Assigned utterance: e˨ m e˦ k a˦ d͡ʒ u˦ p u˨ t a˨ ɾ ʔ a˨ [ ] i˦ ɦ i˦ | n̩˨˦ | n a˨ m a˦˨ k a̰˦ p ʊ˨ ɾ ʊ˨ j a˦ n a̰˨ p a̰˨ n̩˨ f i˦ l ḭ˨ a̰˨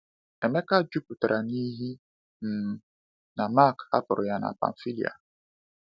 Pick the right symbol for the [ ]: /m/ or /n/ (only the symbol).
n